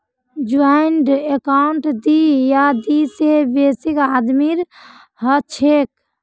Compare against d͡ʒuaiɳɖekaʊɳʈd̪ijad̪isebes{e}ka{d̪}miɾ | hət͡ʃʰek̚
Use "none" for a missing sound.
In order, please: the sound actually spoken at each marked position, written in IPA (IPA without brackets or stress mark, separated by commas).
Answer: i, d̪